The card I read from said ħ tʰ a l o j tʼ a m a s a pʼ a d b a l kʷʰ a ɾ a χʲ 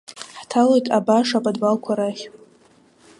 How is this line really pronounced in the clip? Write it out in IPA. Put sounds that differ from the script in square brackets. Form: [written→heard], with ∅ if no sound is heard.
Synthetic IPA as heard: ħ tʰ a l o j tʼ a [m→b] a [s→ʂ] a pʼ a d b a l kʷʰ a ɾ a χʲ